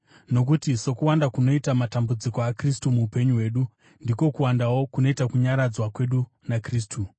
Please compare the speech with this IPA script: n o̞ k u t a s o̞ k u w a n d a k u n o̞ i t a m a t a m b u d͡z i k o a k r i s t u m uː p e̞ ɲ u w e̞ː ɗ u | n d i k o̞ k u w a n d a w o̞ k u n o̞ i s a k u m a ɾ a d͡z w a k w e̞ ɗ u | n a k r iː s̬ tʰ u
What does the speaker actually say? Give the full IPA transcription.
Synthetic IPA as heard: n o̞ k u t i s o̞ k u w a n d a k u n o̞ i t a m a t a m b u d͡z i k o a k r i s t u m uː p e̞ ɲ u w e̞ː ɗ u | n d i k o̞ k u w a n d a w o̞ k u n o̞ i t a k u ɲ a ɾ a d͡z w a k w e̞ ɗ u | n a k r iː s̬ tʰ u